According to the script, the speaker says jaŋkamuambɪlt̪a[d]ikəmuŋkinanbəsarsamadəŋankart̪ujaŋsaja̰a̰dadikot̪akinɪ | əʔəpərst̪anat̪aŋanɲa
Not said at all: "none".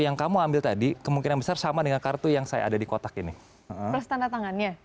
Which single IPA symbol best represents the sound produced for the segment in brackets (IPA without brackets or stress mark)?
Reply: d